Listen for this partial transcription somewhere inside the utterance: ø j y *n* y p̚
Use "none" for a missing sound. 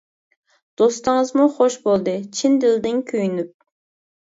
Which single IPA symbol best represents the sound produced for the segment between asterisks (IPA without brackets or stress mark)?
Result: n